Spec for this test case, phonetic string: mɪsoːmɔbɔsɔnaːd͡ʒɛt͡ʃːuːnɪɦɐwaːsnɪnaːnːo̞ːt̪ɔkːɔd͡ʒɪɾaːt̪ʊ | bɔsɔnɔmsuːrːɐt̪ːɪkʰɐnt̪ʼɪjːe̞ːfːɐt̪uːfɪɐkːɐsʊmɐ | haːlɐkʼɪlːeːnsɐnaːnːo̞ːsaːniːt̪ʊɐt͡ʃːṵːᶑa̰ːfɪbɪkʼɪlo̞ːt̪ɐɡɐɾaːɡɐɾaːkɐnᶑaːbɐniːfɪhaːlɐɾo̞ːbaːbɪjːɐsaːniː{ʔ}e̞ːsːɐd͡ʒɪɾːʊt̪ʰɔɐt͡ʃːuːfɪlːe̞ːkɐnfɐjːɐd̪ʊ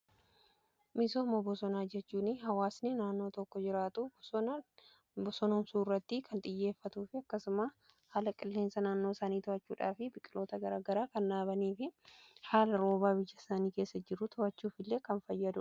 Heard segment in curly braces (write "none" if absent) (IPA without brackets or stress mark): k